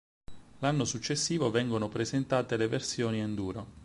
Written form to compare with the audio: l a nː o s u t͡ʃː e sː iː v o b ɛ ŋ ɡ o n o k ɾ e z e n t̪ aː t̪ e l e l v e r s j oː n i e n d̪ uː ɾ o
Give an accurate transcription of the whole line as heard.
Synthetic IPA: l a nː o s u t͡ʃː e sː iː v o v ɛ ŋ ɡ o n o p ɾ e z e n t̪ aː t̪ e l e v e r s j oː n i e n d̪ uː ɾ o